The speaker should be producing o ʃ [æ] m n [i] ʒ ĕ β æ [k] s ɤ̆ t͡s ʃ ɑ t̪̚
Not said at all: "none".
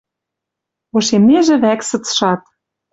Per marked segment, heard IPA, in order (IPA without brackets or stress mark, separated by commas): e, e, k